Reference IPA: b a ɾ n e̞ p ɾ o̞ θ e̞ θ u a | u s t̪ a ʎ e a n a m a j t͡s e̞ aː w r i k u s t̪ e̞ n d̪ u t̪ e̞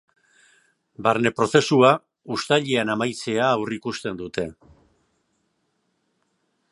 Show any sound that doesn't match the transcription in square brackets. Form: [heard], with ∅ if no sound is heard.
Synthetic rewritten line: b a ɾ n e̞ p ɾ o̞ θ e̞ [s] u a | u s t̪ a ʎ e a n a m a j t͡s e̞ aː w r i k u s t̪ e̞ n d̪ u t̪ e̞